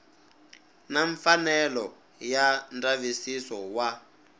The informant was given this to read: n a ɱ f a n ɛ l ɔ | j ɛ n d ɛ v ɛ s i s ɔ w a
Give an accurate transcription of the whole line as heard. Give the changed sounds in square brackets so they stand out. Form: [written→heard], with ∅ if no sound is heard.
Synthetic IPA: n a ɱ f a n ɛ l ɔ | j [ɛ→a] n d [ɛ→a] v [ɛ→i] s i s ɔ w a